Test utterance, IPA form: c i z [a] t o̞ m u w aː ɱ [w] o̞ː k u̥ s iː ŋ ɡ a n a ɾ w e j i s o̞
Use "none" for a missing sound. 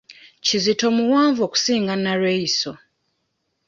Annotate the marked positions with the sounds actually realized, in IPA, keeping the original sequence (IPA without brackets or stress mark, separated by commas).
i, v